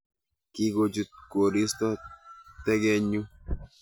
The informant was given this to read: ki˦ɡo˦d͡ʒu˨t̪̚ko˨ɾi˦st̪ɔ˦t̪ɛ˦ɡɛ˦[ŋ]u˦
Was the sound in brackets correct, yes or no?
no